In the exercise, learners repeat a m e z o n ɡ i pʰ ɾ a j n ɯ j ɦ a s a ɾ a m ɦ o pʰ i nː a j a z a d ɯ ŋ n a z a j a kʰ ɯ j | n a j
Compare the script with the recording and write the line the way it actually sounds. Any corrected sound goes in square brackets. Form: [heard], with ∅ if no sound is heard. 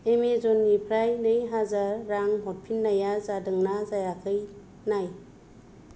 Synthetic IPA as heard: [e] m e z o n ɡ i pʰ ɾ a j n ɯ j ɦ a [z] a [ɾː] a [ŋ] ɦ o pʰ i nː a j a z a d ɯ ŋ n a z a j a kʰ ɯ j | n a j